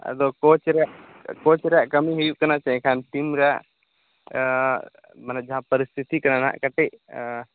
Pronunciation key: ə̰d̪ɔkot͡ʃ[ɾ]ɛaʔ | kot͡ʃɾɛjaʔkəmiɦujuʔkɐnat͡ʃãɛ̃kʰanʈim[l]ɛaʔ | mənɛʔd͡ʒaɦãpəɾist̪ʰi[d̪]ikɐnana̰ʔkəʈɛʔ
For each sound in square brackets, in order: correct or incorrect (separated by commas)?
correct, incorrect, incorrect